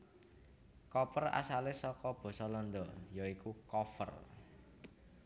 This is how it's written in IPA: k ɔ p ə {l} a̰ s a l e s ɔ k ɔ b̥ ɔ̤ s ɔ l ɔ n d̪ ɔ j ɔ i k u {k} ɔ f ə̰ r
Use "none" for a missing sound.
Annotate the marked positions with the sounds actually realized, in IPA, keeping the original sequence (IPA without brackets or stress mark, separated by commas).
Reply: r, k